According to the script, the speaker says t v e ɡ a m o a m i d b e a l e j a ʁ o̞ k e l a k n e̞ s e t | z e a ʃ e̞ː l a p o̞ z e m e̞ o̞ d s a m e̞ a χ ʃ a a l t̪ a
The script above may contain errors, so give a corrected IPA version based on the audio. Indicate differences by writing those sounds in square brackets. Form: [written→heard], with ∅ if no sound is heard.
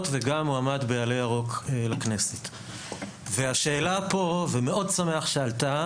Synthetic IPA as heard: t v e ɡ a m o a m [i→a] d b e a l e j a ʁ o̞ k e l a k n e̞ s e t | [z→v] e a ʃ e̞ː l a p o̞ [z→v] e m e̞ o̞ d s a m e̞ a χ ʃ [a→e] a l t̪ a